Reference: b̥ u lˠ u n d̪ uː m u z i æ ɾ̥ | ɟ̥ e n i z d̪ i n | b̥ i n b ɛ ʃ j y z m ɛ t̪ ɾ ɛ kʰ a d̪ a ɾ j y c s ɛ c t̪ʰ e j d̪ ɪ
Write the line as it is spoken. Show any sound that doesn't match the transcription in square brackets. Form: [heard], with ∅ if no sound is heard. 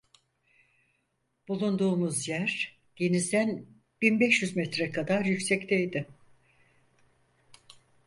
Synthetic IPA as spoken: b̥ u lˠ u n d̪ uː m u z [j] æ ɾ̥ | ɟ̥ e n i z d̪ [æ] n | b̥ i n b ɛ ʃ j y z m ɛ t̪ ɾ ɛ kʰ a d̪ a ɾ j y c s ɛ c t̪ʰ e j d̪ ɪ